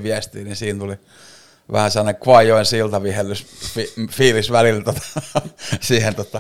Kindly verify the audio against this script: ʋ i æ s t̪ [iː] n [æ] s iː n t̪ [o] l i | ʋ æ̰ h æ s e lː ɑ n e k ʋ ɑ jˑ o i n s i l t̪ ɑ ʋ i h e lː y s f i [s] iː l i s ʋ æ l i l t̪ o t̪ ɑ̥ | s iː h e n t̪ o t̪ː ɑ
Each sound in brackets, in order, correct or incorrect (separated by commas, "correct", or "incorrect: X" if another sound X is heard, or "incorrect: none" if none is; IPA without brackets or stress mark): correct, incorrect: i, incorrect: u, incorrect: f